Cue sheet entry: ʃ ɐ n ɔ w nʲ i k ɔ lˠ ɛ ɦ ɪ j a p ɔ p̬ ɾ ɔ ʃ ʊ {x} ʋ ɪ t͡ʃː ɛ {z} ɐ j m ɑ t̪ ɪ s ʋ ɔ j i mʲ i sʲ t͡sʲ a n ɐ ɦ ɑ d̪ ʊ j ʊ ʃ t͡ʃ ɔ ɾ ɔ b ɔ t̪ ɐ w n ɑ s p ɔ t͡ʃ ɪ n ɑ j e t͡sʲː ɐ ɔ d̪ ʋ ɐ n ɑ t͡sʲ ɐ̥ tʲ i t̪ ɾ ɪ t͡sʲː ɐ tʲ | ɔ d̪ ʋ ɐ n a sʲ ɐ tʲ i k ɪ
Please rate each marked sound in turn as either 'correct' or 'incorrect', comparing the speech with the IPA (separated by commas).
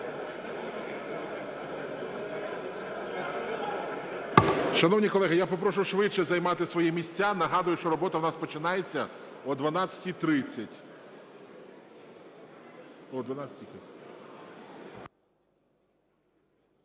incorrect, correct